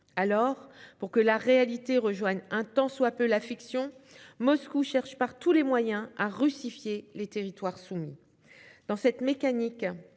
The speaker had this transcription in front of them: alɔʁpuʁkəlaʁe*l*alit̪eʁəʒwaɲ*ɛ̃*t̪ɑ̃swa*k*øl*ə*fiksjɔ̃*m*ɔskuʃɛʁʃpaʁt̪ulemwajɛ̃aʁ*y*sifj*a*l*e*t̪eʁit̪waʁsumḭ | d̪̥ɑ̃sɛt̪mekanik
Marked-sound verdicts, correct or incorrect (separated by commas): incorrect, correct, incorrect, incorrect, correct, correct, incorrect, correct